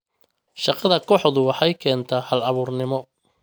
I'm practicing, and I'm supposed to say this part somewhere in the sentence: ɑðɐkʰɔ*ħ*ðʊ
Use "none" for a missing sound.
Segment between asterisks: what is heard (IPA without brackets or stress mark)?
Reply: ħ